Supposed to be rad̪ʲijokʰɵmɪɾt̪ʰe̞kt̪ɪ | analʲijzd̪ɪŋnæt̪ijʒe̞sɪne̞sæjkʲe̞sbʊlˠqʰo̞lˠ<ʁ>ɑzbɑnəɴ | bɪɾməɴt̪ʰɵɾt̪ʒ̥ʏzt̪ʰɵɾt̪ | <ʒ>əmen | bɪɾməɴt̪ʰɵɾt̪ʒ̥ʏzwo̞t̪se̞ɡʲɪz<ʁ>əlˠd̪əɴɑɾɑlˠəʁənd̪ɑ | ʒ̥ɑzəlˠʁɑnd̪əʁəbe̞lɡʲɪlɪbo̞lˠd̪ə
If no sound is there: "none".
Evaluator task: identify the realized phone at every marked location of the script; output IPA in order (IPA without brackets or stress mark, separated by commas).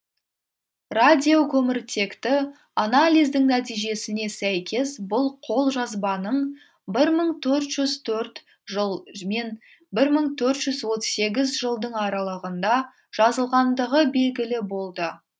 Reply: ʒ, ʒ, ʒ